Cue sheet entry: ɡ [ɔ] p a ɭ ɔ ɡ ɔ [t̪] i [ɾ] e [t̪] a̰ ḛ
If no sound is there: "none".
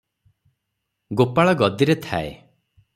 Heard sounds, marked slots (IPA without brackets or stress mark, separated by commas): o, d̪, ɾ, t̪ʰ